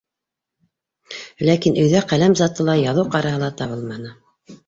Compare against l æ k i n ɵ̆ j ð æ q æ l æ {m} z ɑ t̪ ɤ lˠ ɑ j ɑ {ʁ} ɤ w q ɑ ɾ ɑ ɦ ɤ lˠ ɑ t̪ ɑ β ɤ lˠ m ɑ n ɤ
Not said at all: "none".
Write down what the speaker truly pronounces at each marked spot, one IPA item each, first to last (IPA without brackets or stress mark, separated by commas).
m, ð